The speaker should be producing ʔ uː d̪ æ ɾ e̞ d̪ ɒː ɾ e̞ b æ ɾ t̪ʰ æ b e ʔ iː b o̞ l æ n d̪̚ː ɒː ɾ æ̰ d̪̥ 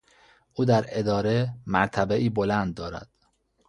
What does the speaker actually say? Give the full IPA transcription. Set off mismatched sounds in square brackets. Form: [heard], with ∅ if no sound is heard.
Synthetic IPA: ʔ uː d̪ æ ɾ e̞ d̪ ɒː ɾ e̞ [m] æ ɾ t̪ʰ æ b e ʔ iː b o̞ l æ n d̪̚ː ɒː ɾ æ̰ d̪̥